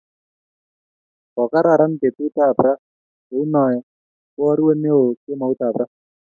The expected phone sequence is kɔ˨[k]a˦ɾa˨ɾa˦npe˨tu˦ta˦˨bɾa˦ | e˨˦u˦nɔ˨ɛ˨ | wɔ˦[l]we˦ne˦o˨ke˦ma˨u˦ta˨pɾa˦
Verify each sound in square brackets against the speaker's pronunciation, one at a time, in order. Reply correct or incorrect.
correct, incorrect: ɾ

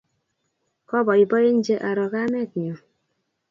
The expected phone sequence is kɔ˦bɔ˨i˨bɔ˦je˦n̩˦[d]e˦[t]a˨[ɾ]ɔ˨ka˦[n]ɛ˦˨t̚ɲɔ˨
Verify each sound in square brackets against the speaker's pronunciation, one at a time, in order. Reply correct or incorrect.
incorrect: d͡ʒ, incorrect: ʔ, correct, incorrect: m

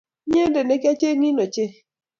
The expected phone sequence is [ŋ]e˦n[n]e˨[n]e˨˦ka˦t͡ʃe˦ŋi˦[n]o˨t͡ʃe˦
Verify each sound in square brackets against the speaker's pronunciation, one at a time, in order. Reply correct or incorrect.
incorrect: ɲ, incorrect: d, correct, correct

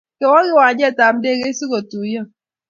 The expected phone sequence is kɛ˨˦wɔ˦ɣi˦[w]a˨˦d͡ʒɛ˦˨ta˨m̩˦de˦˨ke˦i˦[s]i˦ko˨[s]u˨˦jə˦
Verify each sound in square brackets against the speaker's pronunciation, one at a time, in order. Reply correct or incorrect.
correct, correct, incorrect: t

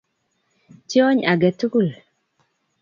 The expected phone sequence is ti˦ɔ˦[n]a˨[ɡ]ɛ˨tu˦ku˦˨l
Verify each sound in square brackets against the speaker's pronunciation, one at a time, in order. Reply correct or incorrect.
incorrect: ɲ, correct

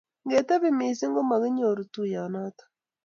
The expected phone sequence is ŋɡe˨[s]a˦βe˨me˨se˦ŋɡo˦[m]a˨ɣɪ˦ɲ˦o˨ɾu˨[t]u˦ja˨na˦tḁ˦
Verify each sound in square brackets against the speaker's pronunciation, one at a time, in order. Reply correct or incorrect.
incorrect: t, correct, correct

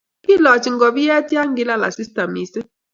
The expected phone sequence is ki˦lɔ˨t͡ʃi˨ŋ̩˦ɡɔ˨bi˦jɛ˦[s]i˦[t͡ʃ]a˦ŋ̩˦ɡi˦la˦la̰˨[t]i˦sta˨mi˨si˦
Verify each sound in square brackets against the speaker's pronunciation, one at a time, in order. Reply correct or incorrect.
incorrect: t, incorrect: none, incorrect: s

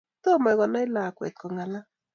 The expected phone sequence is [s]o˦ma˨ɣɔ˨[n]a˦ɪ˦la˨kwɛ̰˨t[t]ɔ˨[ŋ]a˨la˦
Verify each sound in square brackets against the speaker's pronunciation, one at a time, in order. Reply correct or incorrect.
incorrect: t, correct, incorrect: k, correct

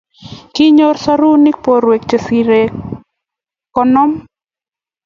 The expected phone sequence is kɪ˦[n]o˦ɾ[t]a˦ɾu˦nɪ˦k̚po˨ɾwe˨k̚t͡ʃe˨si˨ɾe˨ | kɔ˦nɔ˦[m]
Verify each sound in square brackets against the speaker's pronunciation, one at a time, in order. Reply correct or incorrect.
incorrect: ɲ, incorrect: s, correct

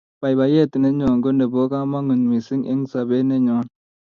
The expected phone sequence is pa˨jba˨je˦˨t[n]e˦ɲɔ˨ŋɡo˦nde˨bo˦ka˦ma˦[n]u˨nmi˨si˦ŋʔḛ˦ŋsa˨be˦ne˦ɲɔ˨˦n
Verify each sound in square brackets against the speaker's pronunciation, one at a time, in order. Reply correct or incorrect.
correct, incorrect: ŋ

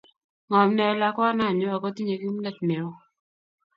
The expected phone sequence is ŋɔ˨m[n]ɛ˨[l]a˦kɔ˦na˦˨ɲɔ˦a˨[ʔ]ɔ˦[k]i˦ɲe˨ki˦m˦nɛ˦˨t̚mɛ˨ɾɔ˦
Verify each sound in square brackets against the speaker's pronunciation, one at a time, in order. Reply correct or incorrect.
correct, correct, incorrect: k, incorrect: t

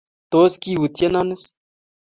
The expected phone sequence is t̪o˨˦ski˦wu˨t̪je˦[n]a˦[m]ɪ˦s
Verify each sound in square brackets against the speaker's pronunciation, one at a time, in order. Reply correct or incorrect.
correct, incorrect: n

